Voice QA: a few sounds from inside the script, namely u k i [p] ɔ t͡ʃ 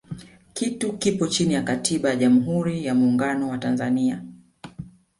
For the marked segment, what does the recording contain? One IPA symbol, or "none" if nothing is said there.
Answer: p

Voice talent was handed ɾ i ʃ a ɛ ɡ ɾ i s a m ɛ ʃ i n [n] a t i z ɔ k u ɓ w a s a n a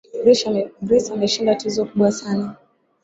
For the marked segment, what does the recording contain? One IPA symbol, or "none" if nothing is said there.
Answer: d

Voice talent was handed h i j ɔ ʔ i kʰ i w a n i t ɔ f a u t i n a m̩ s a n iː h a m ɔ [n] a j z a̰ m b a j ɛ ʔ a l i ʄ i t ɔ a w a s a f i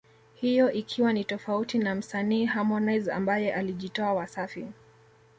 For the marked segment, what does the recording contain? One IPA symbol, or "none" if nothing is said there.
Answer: n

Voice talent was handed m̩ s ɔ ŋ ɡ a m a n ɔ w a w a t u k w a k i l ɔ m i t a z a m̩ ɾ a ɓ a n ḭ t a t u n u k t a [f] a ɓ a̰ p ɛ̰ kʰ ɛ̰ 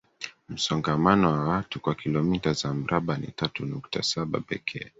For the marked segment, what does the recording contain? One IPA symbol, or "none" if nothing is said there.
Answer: s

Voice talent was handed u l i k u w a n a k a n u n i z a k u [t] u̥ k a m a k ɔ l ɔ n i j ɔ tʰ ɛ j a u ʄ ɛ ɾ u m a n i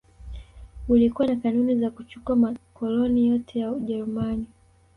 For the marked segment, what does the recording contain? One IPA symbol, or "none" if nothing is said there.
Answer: t͡ʃ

